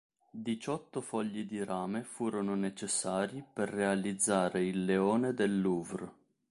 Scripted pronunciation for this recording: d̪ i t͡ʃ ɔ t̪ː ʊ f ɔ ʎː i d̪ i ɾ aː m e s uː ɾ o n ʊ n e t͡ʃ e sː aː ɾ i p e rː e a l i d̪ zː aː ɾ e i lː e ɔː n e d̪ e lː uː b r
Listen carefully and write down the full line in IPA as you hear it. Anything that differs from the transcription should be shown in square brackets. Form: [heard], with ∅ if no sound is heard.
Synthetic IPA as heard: d̪ i t͡ʃ ɔ t̪ː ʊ f ɔ ʎː i d̪ i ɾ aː m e [f] uː ɾ o n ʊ n e t͡ʃ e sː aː ɾ i p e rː e a l i d̪ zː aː ɾ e i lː e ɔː n e d̪ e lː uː [v] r